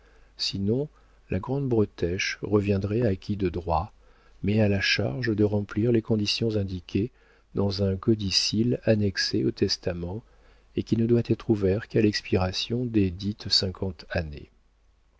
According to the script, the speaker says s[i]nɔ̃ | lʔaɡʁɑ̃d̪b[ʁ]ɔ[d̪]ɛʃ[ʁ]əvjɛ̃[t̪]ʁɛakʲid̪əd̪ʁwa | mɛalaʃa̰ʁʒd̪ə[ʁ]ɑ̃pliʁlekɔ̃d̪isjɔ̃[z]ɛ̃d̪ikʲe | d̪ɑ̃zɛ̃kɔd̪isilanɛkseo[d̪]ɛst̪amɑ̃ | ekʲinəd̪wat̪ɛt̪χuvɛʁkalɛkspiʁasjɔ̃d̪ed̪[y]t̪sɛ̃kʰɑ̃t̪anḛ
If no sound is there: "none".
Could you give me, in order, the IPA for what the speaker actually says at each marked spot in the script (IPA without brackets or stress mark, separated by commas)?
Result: i, ʁ, t̪, ʁ, d̪, ʁ, z, t̪, i